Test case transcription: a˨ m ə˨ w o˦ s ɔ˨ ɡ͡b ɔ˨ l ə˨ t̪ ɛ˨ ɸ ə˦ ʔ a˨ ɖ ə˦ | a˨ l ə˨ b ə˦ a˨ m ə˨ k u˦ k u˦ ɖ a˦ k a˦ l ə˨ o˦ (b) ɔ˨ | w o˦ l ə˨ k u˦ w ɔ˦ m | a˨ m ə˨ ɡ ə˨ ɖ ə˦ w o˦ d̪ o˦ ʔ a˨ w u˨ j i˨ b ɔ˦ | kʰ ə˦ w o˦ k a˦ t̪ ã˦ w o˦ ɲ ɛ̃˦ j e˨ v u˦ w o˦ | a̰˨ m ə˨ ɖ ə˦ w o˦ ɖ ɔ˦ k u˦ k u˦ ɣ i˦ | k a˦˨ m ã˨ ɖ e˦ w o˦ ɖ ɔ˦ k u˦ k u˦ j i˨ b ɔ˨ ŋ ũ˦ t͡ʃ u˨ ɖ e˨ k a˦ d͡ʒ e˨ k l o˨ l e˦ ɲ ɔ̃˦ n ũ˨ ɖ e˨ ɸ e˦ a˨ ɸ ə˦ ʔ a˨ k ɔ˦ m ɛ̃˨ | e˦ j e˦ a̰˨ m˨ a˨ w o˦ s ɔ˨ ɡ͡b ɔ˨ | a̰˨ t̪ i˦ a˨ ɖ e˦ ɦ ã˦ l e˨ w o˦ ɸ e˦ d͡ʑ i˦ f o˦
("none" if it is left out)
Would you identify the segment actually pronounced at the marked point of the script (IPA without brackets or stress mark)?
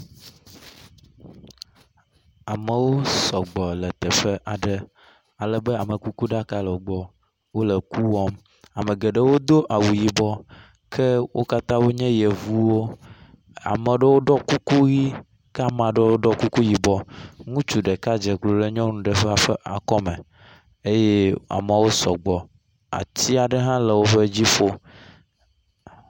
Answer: ɡ͡b